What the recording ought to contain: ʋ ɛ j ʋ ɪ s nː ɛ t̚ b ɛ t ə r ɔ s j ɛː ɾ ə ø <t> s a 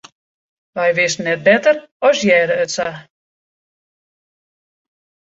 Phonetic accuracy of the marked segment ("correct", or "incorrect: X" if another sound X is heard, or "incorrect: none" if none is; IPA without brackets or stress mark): correct